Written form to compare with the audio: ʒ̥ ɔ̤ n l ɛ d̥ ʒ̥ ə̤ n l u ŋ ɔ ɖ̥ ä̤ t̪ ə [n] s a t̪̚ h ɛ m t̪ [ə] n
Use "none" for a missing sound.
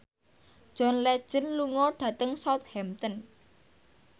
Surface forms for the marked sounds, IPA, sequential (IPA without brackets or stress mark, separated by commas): ŋ, ə